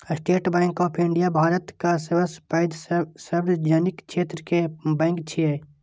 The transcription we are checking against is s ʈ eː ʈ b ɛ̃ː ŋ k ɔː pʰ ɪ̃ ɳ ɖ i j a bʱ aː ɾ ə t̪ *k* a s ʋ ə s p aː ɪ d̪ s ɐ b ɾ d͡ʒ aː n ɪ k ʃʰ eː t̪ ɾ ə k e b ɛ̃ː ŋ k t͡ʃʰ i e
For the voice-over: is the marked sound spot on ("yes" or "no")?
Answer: yes